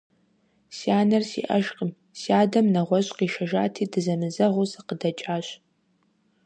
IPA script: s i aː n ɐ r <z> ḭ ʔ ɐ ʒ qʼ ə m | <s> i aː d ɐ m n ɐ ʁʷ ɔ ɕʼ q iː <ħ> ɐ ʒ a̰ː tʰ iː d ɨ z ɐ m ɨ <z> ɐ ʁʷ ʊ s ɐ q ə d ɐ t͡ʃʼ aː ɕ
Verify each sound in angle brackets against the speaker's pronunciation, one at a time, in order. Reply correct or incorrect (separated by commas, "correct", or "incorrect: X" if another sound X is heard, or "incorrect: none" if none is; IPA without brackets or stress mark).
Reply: incorrect: s, correct, incorrect: ʃ, correct